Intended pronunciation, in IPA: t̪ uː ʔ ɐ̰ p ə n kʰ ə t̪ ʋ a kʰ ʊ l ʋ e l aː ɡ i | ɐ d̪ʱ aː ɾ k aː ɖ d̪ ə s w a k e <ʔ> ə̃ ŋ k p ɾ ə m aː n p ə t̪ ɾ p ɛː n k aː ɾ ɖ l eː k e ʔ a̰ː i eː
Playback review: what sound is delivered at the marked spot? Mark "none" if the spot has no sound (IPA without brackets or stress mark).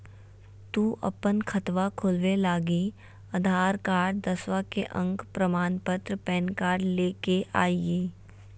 ʔ